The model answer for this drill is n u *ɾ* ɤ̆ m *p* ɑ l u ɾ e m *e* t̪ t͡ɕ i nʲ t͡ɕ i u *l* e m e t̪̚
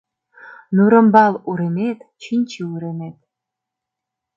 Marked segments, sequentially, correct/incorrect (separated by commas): correct, incorrect, correct, incorrect